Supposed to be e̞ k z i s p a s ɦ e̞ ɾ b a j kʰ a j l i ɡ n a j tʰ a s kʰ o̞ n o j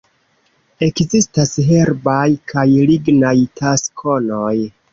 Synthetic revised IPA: e̞ k z i s t a s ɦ e̞ ɾ b a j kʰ a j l i ɡ n a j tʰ a s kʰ o̞ n o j

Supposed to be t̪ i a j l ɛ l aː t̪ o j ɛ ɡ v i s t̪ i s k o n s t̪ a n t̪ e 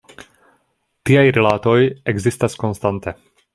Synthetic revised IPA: t̪ i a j ɾ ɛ l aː t̪ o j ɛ ɡ z i s t̪ a s k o n s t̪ a n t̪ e

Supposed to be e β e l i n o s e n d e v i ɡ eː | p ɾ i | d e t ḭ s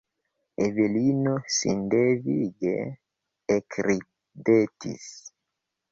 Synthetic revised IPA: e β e l i n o s i n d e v i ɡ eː | k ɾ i | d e t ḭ s

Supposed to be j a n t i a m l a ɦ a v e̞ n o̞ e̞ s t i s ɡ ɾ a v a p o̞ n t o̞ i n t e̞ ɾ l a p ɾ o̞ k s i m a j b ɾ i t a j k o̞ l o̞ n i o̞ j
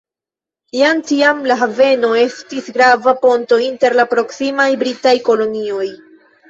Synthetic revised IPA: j a n t i a m l a ɦ a v e̞ n o̞ e̞ s t i s ɡ ɾ a v a p o̞ n t o̞ i n t e̞ ɾ l a p ɾ o̞ k s i m a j b ɾ i t a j k o̞ l o̞ n i o̞ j

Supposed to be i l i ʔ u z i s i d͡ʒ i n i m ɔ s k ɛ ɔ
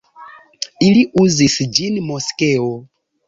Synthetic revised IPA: i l i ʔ u z i s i d͡ʒ i n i m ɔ s k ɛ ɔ

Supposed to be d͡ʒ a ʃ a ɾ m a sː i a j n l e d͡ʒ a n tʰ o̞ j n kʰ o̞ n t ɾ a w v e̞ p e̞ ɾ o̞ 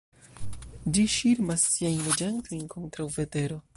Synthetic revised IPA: d͡ʒ i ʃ i ɾ m a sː i a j n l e d͡ʒ a n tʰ o̞ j n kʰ o̞ n t ɾ a w v e̞ t e̞ ɾ o̞

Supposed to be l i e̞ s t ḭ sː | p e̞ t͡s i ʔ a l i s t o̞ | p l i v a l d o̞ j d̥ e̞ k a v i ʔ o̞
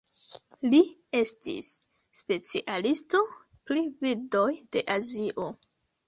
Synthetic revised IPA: l i e̞ s t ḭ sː | p e̞ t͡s i ʔ a l i s t o̞ | p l i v i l d o̞ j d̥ e̞ ʔ a z i ʔ o̞

